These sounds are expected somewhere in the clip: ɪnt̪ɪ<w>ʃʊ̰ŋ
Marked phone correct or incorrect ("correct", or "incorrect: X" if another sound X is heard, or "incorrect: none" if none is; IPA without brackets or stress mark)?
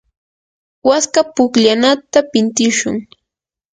incorrect: none